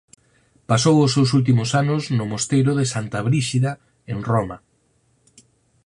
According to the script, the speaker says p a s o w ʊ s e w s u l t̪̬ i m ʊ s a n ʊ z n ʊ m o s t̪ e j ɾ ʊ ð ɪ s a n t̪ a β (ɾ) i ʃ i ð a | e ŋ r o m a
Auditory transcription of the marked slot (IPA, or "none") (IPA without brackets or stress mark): ɾ